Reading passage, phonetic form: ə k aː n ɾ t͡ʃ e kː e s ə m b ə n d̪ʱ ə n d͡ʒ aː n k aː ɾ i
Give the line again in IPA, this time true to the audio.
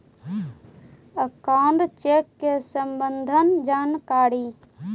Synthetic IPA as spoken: ə k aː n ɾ t͡ʃ e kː e s ə m b ə n d̪ʱ ə n d͡ʒ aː n k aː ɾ i